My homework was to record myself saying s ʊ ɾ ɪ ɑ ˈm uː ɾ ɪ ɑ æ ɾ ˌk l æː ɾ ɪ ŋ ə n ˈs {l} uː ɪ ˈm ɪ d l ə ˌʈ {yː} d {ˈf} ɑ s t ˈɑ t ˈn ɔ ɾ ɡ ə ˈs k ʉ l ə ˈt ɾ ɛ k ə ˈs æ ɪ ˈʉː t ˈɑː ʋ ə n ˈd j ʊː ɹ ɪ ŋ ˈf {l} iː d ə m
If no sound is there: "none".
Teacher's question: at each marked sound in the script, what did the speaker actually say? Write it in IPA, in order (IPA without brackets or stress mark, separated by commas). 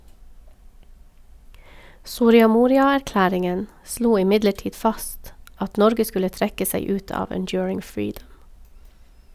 l, iː, f, ɹ